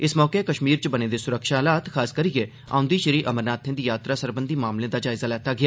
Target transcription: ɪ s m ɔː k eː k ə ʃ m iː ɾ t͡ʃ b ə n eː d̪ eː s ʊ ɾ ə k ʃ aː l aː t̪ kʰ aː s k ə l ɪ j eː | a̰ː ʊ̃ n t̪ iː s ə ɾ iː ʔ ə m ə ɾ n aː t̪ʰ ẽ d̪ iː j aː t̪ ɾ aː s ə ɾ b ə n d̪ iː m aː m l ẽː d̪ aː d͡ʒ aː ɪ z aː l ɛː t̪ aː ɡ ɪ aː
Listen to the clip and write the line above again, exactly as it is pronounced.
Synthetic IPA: ɪ s m ɔː k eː k ə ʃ m iː ɾ t͡ʃ b ə n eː d̪ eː s ʊ ɾ ə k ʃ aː l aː t̪ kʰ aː s k ə ɾ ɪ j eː | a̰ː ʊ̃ n d̪ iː ʃ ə ɾ iː ʔ ə m ə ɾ n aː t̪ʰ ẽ d̪ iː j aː t̪ ɾ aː s ə ɾ b ə n d̪ iː m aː m l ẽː d̪ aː d͡ʒ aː ɪ z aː l ɛː t̪ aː ɡ ɪ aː